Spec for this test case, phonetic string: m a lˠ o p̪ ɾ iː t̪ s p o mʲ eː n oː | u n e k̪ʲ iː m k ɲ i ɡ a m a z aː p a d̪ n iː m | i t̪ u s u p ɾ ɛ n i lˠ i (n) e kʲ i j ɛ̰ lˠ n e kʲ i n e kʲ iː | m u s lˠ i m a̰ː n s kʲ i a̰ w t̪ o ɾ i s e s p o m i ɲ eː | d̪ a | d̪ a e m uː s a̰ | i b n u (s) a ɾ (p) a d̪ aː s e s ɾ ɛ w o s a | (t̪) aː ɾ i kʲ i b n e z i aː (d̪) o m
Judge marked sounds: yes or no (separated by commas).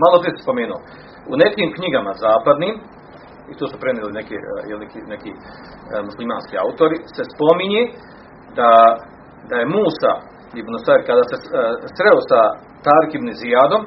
yes, yes, no, yes, yes